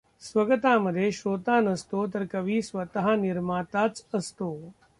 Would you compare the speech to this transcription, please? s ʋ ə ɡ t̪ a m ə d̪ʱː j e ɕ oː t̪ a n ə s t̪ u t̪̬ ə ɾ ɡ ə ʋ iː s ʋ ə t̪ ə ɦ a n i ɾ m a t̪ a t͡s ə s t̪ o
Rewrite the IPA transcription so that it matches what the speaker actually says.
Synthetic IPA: s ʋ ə ɡ t̪ a m ə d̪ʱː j e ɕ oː t̪ a n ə s t̪ o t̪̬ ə ɾ k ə ʋ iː s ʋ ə t̪ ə ɦ a n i ɾ m a t̪ a t͡s ə s t̪ o